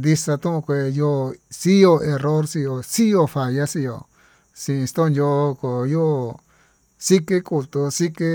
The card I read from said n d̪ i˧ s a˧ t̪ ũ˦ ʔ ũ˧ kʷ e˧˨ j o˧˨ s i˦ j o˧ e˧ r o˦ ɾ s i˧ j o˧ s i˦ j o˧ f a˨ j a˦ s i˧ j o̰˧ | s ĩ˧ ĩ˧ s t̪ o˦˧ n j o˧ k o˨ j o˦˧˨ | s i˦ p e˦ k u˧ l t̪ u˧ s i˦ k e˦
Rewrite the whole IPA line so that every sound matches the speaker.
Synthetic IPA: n d̪ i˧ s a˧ t̪ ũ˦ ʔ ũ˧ kʷ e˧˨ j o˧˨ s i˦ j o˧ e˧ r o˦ ɾ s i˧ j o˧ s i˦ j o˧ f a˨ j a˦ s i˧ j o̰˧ | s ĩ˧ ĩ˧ s t̪ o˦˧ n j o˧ k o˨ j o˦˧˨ | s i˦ k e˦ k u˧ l t̪ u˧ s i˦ k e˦